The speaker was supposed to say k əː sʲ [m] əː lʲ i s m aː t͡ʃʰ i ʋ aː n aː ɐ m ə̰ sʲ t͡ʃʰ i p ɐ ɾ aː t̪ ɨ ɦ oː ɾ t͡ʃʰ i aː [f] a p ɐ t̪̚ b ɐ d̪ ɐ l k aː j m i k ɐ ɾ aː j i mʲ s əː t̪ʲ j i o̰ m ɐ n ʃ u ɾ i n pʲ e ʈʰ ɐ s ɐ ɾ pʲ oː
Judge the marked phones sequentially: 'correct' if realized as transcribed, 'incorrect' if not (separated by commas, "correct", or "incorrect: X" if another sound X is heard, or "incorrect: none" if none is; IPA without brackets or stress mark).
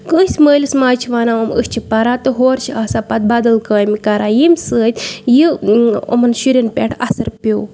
correct, incorrect: s